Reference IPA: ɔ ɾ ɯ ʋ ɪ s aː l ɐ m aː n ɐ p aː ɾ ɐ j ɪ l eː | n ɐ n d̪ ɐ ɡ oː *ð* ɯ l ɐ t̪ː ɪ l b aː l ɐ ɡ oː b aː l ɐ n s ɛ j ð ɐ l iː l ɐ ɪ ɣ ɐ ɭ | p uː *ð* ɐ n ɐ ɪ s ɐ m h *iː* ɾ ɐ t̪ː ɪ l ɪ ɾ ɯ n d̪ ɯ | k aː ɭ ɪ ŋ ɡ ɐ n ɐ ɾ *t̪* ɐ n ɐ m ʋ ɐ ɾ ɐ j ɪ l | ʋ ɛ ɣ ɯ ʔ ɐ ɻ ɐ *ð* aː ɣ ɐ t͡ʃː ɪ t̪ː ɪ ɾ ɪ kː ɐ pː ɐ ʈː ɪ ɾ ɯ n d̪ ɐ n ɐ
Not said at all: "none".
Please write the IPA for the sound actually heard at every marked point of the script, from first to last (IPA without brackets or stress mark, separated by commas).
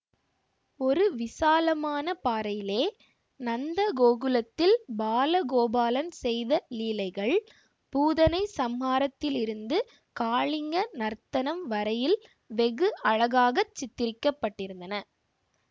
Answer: ɣ, ð, aː, t̪, ɣ